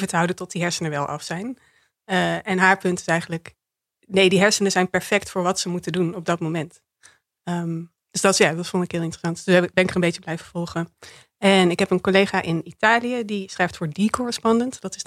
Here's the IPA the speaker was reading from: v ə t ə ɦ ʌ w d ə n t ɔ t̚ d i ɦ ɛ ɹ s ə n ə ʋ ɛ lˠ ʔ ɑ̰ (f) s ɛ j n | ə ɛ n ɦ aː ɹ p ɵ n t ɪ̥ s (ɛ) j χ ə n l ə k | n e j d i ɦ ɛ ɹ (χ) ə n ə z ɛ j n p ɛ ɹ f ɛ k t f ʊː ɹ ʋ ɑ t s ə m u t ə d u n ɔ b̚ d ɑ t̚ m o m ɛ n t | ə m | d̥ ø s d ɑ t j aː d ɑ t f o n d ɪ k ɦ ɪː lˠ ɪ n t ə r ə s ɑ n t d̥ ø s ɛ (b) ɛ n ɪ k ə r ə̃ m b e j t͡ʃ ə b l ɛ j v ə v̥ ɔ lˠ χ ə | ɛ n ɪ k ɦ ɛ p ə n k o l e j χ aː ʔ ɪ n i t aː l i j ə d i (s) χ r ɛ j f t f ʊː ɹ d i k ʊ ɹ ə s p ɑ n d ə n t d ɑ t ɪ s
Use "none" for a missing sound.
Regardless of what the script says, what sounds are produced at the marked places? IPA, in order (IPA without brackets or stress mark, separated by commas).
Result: f, ɛ, s, b, s